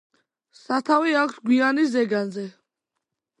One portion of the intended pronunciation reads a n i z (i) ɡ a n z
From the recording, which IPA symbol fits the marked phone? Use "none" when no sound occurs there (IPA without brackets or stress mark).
ɛ